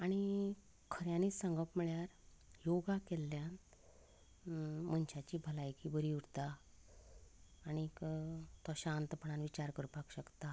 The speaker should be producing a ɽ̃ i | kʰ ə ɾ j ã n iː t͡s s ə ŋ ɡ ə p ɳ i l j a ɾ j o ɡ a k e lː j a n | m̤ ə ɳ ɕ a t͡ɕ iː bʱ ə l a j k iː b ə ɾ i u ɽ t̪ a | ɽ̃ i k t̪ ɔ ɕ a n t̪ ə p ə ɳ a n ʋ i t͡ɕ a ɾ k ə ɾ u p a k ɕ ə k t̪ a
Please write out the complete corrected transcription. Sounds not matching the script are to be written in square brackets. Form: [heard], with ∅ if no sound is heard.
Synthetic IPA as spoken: a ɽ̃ i | kʰ ə ɾ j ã n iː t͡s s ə ŋ ɡ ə p [m] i [ɭ] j a ɾ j o ɡ a k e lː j a n | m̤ ə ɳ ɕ a t͡ɕ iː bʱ ə l a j k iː b ə ɾ i u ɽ t̪ a | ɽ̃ i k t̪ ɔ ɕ a n t̪ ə p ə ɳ a n ʋ i t͡ɕ a ɾ k ə ɾ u p a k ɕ ə k t̪ a